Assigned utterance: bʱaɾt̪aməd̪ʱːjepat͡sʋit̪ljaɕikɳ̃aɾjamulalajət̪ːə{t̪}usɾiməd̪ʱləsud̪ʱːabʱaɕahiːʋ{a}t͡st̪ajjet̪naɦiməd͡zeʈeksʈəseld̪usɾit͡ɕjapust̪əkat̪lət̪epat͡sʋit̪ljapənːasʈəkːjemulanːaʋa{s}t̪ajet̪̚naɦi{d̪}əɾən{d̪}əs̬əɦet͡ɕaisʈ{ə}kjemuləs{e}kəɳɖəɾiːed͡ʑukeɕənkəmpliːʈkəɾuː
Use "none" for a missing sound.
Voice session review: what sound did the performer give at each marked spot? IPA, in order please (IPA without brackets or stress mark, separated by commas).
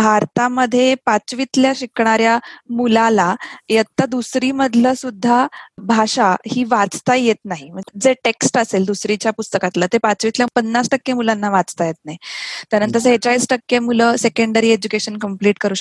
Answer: d̪, a, t͡s, t̪, t̪, ə, e